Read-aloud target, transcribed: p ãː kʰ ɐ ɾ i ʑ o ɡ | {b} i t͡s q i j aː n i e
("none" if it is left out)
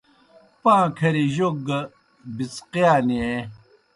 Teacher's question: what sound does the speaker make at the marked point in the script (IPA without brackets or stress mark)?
b